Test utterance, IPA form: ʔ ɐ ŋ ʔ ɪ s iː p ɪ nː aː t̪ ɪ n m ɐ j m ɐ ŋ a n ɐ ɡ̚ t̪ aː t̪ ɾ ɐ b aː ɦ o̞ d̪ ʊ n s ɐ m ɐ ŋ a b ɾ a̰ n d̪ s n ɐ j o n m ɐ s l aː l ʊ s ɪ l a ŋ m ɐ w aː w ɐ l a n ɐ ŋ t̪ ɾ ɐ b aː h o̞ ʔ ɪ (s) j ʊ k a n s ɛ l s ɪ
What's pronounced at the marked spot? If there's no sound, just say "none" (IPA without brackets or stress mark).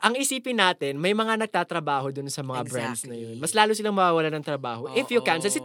f